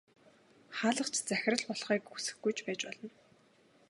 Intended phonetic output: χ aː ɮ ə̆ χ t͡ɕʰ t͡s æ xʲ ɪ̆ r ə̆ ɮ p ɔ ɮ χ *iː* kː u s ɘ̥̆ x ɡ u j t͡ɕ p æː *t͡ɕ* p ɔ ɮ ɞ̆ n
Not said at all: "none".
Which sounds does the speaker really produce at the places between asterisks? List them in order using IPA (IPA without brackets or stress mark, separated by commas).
iː, t͡ɕ